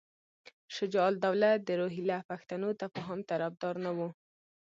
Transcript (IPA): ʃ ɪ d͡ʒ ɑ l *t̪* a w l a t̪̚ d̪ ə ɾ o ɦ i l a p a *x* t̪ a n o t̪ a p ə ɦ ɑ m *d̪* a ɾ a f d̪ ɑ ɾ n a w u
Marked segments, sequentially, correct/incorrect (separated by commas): incorrect, correct, incorrect